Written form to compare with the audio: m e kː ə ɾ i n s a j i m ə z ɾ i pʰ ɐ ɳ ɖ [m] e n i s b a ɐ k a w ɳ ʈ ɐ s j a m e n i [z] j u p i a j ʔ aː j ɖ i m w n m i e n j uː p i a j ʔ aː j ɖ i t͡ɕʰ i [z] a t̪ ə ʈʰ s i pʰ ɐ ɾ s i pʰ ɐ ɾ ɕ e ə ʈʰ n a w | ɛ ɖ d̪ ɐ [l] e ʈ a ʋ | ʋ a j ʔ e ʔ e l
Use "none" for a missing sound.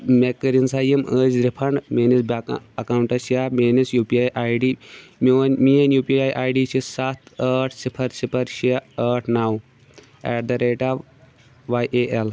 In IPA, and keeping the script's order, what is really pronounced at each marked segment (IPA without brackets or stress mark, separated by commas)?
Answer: m, s, s, ɾ